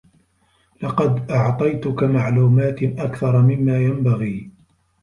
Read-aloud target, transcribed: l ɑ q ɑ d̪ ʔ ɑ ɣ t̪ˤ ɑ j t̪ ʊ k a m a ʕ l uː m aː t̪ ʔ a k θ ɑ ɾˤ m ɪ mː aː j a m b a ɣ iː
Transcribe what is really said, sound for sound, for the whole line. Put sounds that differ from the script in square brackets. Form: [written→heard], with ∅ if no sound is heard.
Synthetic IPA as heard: l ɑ q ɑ d̪ ʔ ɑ [ɣ→ʕ] t̪ˤ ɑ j t̪ ʊ k a m a ʕ l uː m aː t̪ ʔ a k θ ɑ ɾˤ m ɪ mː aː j a m b a ɣ iː